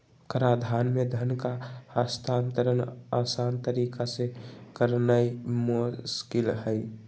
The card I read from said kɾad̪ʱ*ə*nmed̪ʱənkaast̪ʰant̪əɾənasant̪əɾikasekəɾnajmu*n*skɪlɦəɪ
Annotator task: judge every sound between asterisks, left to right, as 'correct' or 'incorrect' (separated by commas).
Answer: incorrect, incorrect